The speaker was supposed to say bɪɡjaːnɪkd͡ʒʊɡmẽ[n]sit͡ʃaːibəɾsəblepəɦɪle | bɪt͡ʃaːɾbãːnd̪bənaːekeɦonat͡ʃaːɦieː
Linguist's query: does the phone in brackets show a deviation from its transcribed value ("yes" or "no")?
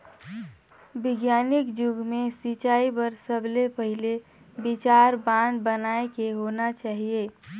yes